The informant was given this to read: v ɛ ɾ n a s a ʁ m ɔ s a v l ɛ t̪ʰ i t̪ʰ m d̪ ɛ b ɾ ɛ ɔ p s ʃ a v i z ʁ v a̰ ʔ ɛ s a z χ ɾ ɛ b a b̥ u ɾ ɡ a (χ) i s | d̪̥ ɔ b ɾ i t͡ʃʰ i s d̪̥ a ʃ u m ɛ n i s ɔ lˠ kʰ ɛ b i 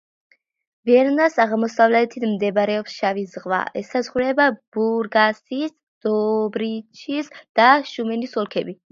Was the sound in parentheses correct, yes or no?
no